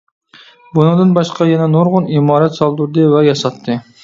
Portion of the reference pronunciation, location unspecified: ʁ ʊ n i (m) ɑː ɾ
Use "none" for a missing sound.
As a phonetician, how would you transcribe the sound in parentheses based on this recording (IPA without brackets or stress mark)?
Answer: m